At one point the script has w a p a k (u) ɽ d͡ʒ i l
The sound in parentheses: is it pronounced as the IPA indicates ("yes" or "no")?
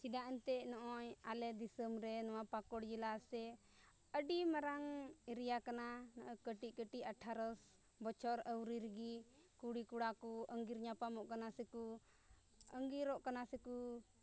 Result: no